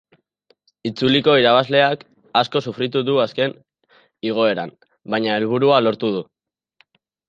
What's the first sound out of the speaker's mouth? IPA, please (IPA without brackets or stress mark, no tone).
i